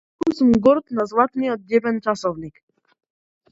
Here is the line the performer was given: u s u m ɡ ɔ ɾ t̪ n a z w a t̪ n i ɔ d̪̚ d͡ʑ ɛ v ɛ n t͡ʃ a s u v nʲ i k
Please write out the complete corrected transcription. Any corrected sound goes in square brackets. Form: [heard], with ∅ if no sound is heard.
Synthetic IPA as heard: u s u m ɡ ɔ ɾ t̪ n a z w a t̪ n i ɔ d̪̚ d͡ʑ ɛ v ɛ n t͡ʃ a s [ɔ] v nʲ i k